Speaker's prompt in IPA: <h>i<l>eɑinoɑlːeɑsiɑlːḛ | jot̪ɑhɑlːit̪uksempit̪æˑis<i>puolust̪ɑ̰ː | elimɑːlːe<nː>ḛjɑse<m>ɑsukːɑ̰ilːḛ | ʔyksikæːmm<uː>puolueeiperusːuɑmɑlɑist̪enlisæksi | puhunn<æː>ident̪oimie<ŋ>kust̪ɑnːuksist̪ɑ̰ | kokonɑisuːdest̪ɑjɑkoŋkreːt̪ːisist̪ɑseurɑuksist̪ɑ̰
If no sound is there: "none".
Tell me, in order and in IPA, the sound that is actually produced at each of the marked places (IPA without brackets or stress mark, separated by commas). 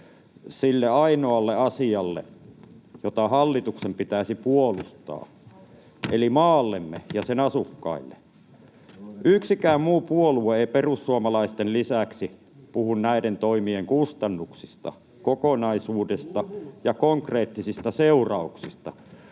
s, lː, i, mː, n, uː, æ, ŋ